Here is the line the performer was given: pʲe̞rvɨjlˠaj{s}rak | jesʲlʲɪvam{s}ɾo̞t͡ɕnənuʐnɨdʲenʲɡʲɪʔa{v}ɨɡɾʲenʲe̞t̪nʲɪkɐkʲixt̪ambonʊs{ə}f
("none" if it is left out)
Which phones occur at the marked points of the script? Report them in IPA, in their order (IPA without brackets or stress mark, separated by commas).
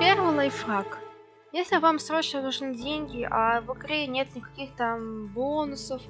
f, s, v, ə